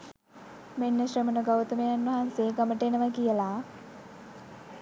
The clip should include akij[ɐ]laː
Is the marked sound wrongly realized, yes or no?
yes